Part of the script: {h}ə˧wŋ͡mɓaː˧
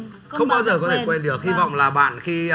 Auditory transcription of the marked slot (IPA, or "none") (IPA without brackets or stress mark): x